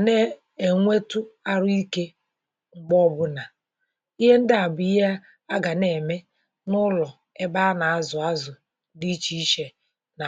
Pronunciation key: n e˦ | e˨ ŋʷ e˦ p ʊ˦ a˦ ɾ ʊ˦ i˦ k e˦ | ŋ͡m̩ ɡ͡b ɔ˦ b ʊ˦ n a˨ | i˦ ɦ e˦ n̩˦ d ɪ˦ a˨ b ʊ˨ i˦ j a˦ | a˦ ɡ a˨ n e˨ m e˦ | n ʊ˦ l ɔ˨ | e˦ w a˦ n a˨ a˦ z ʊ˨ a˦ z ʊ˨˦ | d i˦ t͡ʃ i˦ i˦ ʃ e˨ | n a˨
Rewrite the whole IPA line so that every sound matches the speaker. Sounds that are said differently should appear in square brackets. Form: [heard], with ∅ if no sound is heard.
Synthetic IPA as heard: n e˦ | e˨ ŋʷ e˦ [t] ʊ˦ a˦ ɾ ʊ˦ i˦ k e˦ | ŋ͡m̩ ɡ͡b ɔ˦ b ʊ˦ n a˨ | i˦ ɦ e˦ n̩˦ d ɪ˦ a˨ b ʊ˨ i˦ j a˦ | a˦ ɡ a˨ n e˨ m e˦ | n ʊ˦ l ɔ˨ | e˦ [b] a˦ n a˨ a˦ z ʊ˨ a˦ z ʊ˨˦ | d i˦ t͡ʃ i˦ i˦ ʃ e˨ | n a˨